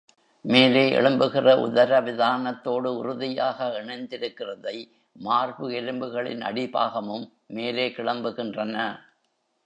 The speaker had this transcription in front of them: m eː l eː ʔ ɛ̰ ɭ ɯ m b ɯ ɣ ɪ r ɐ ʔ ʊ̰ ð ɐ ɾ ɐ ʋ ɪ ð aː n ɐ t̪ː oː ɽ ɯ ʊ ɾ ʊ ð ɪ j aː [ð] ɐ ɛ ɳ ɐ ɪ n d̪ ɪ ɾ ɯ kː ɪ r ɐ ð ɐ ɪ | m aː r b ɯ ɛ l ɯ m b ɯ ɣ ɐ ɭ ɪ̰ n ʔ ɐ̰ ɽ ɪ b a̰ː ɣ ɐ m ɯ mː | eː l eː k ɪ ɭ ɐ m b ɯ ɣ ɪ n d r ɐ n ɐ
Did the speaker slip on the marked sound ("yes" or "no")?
yes